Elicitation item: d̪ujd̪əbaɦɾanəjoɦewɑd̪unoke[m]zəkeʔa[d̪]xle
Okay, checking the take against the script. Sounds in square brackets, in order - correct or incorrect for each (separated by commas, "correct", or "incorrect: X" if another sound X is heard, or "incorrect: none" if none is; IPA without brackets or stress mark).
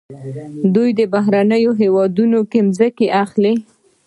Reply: correct, incorrect: none